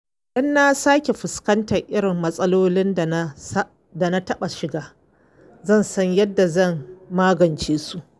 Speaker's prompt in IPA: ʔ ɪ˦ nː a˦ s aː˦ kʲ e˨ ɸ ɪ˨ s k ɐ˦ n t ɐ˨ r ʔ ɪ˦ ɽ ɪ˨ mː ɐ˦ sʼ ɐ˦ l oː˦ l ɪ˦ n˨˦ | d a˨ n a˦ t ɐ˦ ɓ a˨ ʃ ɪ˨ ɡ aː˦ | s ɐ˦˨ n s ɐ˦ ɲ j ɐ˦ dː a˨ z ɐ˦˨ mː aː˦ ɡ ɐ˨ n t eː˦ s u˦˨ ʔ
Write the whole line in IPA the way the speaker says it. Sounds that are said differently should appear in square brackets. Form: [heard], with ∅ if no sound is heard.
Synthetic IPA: ʔ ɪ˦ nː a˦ s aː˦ kʲ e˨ ɸ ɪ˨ s k ɐ˦ n t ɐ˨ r ʔ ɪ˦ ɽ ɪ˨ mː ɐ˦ sʼ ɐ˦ l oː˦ l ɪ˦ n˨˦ | d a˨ n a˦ t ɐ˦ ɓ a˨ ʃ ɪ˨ ɡ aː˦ | [z] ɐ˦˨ n s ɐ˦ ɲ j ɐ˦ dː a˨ z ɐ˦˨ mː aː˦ ɡ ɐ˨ n [t͡ʃ] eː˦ s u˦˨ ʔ